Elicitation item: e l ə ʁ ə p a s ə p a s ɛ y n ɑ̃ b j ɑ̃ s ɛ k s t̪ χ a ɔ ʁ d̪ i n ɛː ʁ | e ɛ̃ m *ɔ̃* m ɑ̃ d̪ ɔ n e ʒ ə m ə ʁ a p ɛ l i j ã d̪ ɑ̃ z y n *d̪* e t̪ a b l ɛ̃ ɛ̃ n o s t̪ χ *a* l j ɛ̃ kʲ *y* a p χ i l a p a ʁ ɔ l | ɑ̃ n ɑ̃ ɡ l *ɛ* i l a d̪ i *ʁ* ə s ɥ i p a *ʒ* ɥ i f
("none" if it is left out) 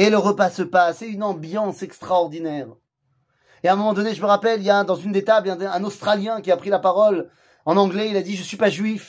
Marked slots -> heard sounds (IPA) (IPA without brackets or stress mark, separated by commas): ɔ, d̪, a, i, ɛ, ʒ, ʒ